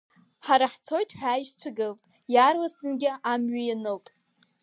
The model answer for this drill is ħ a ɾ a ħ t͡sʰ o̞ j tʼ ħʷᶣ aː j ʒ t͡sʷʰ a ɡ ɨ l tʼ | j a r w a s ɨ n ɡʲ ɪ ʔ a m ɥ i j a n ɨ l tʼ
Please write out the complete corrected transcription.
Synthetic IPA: ħ a ɾ a ħ t͡sʰ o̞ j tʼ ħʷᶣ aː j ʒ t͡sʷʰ a ɡ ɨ l tʼ | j a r w a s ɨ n ɡʲ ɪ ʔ a m ɥ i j a n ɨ l tʼ